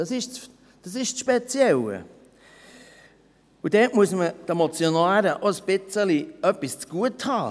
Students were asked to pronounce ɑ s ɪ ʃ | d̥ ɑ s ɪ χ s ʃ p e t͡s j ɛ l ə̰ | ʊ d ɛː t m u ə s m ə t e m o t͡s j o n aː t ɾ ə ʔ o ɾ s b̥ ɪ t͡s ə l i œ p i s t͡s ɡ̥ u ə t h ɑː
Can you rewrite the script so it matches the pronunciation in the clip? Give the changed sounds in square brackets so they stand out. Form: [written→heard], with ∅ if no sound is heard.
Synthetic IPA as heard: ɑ s ɪ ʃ | d̥ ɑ s ɪ [χ→ʃ] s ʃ p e t͡s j ɛ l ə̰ | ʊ d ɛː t m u ə s m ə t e m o t͡s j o n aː [t→∅] ɾ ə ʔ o [ɾ→∅] s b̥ ɪ t͡s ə l i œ p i s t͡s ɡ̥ u ə t h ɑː